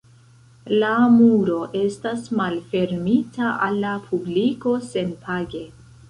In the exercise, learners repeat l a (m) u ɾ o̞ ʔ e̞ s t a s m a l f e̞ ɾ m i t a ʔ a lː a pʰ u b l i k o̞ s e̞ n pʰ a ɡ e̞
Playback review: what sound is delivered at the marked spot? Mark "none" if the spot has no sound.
m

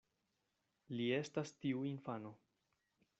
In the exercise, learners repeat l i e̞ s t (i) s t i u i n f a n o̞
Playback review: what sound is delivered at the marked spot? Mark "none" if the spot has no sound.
a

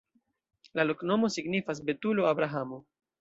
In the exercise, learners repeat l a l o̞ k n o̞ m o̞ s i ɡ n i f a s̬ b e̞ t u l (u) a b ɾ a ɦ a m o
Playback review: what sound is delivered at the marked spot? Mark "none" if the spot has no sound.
o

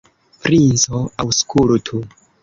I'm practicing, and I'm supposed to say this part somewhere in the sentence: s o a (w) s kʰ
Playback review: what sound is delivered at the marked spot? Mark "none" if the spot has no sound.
w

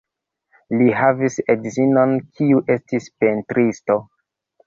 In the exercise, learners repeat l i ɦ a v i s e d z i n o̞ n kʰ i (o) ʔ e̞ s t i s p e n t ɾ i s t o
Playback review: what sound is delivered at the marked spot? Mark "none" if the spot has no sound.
u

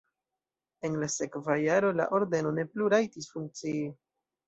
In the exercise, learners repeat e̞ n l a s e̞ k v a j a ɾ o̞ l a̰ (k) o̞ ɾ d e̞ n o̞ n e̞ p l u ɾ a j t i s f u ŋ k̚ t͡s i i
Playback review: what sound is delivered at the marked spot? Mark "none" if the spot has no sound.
ʔ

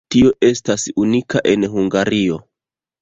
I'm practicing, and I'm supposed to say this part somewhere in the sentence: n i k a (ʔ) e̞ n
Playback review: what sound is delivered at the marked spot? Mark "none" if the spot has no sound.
ʔ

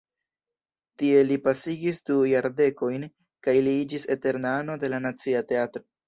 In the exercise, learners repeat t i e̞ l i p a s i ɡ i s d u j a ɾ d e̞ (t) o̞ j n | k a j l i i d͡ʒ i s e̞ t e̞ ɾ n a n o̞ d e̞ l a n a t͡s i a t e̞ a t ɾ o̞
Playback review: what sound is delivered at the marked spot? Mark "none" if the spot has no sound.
k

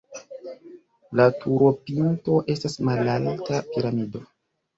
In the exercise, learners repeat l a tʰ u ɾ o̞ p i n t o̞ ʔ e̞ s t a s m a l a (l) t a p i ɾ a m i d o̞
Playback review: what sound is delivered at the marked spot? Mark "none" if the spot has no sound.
l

